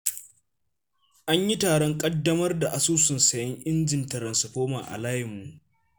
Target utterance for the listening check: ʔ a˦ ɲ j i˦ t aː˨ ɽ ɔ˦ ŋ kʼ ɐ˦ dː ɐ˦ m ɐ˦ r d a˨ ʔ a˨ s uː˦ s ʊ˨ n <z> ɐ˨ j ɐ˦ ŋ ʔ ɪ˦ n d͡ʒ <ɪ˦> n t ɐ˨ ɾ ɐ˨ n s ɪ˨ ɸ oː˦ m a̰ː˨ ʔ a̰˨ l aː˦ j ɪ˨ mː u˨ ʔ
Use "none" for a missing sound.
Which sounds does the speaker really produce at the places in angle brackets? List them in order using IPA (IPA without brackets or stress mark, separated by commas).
s, ɪ˨